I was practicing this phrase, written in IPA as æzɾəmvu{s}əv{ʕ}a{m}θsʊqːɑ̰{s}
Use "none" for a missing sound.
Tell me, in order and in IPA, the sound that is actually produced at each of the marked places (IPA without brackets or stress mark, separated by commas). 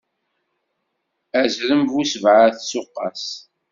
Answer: s, ʕ, none, s